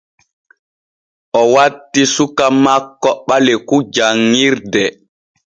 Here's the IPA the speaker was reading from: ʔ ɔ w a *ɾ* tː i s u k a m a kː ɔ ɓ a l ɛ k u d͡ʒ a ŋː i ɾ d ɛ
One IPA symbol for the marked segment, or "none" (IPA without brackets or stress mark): none